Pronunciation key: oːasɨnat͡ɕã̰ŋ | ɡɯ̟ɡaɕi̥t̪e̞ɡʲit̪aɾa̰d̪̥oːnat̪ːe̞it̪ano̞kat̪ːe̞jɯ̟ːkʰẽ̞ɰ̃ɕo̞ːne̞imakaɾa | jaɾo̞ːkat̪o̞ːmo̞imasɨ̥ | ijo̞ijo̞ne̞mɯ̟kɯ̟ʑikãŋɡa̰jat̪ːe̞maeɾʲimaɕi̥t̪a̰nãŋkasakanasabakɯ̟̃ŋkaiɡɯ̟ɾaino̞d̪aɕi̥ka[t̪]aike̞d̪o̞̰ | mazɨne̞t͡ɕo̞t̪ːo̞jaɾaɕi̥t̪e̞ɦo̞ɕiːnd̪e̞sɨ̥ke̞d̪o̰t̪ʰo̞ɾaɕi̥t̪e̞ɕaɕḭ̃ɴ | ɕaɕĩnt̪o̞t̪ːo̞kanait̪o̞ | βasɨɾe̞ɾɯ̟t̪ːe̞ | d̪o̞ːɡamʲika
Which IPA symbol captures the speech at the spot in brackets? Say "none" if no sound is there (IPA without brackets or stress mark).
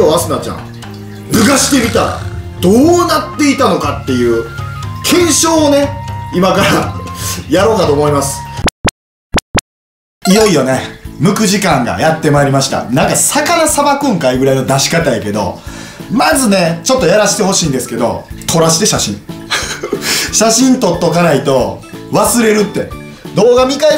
t̪